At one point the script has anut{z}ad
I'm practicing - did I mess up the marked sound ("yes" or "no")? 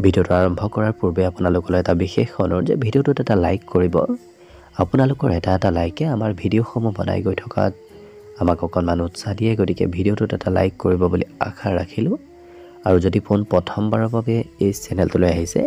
yes